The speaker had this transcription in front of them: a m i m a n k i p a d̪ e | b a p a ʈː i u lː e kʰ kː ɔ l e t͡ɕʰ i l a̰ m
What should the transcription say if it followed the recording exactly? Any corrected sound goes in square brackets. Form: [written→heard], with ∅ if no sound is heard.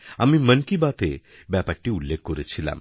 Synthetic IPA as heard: a m i m [a→ə] n k i [p→b] a [d̪→t̪] e | b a p a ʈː i u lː e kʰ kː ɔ [l→ɾ] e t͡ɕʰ i l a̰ m